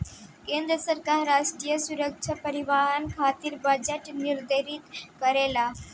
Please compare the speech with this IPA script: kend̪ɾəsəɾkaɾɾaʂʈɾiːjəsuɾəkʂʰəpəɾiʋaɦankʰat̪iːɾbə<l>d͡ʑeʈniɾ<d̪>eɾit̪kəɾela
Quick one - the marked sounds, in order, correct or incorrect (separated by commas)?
incorrect, correct